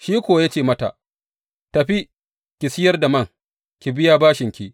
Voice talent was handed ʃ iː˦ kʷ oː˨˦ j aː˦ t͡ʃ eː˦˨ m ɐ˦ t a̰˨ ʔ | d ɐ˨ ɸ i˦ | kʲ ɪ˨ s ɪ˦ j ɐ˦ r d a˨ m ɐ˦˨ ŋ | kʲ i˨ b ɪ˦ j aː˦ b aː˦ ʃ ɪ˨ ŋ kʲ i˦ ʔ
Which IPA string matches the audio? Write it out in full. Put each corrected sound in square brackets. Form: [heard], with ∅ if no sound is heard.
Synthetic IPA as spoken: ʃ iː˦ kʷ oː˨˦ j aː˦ t͡ʃ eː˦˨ m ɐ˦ t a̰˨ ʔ | [t] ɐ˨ ɸ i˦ | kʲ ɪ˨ s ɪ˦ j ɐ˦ r d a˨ m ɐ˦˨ ŋ | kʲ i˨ b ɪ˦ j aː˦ b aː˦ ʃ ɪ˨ ŋ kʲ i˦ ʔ

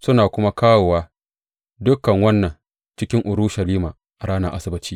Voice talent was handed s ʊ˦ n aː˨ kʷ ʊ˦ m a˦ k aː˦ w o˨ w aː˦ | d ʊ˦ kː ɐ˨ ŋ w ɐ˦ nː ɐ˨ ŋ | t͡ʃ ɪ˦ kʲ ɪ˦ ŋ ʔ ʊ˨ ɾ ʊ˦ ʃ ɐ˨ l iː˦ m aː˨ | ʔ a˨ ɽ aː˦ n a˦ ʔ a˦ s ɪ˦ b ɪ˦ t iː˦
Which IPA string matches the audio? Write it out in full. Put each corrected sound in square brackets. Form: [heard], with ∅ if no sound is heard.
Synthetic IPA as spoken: s ʊ˦ n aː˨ kʷ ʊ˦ m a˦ k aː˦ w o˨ w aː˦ | d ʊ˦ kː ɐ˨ ŋ w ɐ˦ nː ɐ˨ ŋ | t͡ʃ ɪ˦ kʲ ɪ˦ ŋ ʔ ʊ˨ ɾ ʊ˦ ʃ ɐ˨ l iː˦ m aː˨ | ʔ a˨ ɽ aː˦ n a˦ ʔ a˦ s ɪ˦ b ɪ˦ [t͡ʃ] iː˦

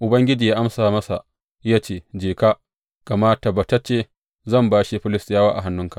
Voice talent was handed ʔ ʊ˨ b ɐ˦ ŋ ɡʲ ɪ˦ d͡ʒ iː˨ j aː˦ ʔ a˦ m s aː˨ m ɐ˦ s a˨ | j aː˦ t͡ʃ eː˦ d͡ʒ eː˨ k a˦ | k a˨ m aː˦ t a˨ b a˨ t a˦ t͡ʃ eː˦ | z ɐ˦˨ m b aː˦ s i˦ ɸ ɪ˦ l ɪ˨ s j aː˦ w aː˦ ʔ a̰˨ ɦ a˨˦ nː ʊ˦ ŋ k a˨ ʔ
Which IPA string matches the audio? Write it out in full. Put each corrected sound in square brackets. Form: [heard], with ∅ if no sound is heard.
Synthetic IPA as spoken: ʔ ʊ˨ b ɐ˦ ŋ ɡʲ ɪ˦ d͡ʒ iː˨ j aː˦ ʔ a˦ m s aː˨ m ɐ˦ s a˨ | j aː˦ t͡ʃ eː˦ d͡ʒ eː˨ k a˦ | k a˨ m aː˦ t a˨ b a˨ t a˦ t͡ʃ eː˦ | z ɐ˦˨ m b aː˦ [ʃ] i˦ ɸ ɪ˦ l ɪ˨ s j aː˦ w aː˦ ʔ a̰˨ ɦ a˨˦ nː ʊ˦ ŋ k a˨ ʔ

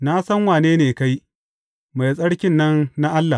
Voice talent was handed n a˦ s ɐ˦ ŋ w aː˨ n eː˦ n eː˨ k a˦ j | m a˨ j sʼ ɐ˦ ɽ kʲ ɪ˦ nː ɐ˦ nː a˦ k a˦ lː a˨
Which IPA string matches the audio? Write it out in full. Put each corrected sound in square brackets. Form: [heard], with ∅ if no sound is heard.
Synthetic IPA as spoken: n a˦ s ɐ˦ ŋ w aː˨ n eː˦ n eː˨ k a˦ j | m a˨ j sʼ ɐ˦ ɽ kʲ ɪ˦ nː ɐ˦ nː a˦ [ʔ] a˦ lː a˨

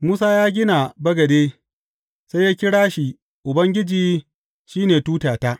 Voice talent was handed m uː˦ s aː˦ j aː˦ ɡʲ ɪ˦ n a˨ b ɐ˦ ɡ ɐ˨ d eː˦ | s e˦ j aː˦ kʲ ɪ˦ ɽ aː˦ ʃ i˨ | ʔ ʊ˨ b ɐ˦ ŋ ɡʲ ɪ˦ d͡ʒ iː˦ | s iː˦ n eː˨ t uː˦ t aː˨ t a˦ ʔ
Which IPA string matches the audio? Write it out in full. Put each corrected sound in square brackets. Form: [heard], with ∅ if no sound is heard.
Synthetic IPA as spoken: m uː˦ s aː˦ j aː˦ ɡʲ ɪ˦ n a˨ b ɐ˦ ɡ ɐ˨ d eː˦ | s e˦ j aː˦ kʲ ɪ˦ ɽ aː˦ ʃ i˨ | ʔ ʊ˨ b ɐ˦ ŋ ɡʲ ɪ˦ d͡ʒ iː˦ | [ʃ] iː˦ n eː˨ t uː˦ t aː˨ t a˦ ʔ

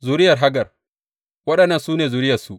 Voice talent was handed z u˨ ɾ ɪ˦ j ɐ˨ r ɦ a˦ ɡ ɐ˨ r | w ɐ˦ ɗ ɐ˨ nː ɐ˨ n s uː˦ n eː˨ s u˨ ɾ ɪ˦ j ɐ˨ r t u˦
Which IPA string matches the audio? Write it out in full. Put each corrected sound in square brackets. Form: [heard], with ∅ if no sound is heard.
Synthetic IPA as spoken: z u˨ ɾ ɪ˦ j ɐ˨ r ɦ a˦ ɡ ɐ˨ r | w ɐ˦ ɗ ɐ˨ nː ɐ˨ n s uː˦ n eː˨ [z] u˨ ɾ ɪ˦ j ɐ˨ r [s] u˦

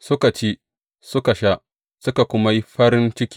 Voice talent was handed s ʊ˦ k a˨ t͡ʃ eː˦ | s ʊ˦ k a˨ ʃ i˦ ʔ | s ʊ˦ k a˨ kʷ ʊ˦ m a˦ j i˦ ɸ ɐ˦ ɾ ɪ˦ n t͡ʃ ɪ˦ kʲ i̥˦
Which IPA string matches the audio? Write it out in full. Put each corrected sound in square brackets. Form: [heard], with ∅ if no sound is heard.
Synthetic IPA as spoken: s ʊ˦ k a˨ t͡ʃ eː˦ | s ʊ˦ k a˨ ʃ [a˦] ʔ | s ʊ˦ k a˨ kʷ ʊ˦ m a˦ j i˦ ɸ ɐ˦ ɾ ɪ˦ n t͡ʃ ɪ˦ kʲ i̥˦

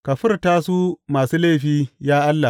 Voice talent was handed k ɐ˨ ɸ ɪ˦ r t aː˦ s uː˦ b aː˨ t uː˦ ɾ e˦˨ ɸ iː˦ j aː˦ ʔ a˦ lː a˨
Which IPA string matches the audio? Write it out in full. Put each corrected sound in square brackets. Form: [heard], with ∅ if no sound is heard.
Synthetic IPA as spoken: k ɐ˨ ɸ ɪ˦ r t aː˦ s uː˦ [m] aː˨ [s] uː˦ [l] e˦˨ ɸ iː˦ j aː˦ ʔ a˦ lː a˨

